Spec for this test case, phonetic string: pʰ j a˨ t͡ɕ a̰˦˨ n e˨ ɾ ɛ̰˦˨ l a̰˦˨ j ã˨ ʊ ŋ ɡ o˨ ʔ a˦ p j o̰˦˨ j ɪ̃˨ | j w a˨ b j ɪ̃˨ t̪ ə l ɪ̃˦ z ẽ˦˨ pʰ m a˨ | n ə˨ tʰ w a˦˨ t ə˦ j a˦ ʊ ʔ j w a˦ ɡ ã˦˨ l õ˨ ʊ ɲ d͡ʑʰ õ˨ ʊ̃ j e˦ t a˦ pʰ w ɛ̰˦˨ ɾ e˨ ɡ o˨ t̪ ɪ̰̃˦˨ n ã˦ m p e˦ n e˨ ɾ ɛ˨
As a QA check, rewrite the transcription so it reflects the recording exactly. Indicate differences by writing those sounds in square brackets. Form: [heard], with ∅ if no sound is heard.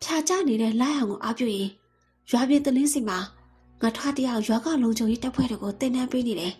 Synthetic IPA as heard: pʰ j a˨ t͡ɕ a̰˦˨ n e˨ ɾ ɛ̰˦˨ l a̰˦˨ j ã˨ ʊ ŋ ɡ o˨ ʔ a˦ p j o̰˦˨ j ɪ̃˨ | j w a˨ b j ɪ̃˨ t̪ ə l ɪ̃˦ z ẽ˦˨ [∅] m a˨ | [ŋ] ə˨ tʰ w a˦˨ t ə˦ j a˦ ʊ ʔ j w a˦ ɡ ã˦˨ l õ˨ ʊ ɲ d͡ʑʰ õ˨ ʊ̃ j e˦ t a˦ pʰ w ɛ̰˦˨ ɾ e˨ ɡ o˨ t̪ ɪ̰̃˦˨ n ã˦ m p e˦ n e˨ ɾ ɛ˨